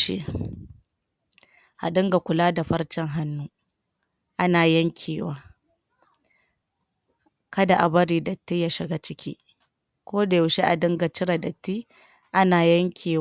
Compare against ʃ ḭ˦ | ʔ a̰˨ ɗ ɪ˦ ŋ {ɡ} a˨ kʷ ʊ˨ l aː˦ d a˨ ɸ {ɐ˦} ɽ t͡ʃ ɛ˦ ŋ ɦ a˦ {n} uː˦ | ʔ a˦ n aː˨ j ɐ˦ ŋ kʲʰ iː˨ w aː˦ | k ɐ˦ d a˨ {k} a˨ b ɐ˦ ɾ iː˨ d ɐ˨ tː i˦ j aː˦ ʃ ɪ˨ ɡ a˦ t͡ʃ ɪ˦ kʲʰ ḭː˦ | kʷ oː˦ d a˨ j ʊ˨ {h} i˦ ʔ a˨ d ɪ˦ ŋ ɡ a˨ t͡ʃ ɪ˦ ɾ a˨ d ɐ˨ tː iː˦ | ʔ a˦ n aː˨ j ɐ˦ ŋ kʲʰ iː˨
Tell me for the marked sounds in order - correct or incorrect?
correct, correct, incorrect: nː, incorrect: ʔ, incorrect: ʃ

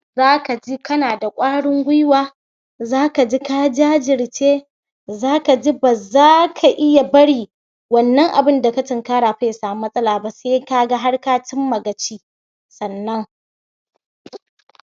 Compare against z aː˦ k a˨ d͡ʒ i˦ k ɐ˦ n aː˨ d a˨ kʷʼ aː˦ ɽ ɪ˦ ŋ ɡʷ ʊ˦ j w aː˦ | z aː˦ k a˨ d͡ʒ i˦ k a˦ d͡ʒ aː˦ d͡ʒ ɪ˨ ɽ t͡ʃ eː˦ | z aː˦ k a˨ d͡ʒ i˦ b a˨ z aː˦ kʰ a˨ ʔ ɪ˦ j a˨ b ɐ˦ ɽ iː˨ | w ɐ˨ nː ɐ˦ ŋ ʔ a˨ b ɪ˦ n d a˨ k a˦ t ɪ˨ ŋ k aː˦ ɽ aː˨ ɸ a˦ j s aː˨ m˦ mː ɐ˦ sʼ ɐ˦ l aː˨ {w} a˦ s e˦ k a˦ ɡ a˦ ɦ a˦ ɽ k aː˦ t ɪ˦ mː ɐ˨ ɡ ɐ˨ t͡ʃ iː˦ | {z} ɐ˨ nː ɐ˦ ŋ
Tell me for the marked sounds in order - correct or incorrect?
incorrect: b, incorrect: s

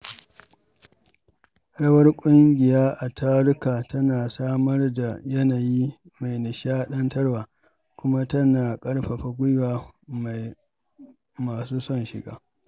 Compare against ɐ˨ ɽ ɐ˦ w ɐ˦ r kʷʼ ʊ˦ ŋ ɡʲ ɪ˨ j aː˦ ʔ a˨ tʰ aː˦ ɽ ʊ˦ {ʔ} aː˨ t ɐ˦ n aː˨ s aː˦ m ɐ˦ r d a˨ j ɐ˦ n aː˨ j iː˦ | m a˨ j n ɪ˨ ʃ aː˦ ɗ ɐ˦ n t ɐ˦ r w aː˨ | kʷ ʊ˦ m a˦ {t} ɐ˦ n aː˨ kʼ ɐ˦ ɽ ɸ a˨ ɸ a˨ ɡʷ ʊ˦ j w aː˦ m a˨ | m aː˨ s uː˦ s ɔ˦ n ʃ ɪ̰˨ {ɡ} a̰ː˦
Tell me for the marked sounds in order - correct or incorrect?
incorrect: k, correct, correct

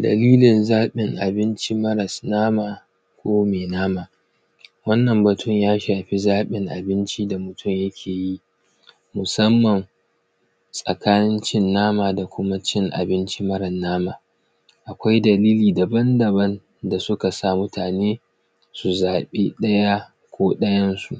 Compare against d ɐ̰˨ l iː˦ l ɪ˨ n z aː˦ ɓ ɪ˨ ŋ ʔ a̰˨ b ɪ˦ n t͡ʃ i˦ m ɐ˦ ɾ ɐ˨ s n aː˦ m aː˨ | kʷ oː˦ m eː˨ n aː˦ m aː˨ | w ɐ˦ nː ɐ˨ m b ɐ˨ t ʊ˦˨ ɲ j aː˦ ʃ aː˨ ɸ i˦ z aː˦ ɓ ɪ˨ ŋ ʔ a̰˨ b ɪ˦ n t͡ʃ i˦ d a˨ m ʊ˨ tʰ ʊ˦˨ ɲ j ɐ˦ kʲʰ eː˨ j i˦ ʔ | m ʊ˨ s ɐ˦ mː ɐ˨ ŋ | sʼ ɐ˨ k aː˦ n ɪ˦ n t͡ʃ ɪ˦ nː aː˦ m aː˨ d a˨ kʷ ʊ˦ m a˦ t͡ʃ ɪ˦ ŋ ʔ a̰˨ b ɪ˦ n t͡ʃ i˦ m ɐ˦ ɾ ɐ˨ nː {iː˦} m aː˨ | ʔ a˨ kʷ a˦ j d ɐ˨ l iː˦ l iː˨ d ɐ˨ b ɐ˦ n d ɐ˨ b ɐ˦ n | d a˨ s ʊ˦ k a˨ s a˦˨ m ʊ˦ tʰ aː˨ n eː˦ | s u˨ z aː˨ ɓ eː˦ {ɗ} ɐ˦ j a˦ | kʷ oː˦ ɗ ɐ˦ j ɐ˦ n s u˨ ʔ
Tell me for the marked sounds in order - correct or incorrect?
incorrect: aː˦, correct

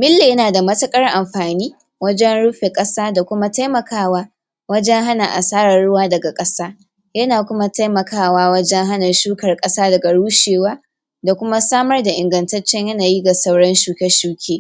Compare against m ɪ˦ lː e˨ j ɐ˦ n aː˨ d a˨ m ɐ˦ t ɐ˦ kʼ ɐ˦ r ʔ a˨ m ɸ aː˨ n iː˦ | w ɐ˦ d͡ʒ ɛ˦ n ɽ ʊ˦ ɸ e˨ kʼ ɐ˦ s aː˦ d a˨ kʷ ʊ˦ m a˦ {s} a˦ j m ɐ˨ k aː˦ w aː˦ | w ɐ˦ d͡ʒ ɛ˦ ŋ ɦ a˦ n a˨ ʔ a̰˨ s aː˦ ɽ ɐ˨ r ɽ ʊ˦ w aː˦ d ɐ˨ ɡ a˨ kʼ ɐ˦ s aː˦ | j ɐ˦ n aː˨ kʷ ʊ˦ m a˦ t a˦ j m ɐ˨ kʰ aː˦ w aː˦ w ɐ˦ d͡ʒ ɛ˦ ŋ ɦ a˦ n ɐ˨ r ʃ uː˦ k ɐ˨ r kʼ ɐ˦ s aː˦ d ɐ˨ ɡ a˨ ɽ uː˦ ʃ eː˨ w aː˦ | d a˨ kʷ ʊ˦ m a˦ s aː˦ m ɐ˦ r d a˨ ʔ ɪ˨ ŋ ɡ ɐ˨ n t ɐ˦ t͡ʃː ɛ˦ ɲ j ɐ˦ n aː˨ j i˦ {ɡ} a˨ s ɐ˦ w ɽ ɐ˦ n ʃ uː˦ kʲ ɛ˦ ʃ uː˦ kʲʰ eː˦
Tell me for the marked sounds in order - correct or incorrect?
incorrect: t, correct

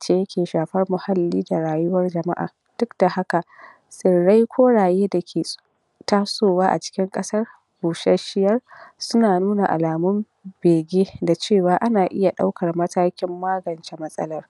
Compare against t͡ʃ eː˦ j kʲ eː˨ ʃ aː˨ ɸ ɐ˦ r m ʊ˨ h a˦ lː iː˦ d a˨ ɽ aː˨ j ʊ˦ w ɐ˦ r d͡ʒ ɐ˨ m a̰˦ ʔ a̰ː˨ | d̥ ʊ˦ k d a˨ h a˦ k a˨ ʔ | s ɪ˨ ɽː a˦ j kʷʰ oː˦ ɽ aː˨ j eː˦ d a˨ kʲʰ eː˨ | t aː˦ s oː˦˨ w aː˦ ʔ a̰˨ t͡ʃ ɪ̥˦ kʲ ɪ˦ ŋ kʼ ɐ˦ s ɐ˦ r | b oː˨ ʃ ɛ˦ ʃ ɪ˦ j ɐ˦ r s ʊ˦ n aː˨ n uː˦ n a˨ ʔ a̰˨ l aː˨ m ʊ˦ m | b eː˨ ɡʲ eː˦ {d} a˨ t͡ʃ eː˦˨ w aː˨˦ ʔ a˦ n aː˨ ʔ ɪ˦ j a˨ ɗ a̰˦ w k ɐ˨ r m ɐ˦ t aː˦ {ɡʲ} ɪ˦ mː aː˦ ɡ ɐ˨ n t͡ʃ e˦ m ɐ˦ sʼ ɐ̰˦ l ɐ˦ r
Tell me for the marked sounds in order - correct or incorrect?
correct, incorrect: kʲ

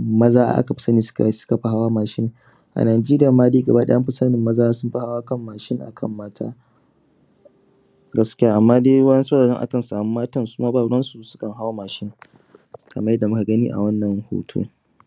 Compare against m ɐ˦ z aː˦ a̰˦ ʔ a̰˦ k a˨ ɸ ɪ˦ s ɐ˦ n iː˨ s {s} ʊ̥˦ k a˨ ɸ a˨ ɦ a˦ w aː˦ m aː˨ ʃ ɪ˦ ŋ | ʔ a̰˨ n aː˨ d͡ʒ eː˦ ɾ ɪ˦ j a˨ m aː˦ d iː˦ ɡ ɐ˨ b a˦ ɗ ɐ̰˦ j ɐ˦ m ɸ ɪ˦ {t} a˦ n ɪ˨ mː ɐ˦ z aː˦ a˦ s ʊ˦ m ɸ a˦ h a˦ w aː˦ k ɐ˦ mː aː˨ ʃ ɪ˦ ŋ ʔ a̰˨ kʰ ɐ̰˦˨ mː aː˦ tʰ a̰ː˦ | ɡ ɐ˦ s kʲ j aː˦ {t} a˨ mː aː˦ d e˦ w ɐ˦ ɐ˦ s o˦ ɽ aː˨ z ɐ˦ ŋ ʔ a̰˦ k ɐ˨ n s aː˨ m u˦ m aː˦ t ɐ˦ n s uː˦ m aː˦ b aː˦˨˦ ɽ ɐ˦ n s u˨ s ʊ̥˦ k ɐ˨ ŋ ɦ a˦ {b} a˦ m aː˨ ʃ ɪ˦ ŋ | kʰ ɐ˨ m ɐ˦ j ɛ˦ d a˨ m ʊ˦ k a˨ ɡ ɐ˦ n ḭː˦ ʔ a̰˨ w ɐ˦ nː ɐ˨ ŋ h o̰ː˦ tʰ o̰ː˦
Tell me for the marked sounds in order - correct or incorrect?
correct, incorrect: s, incorrect: ʔ, incorrect: w

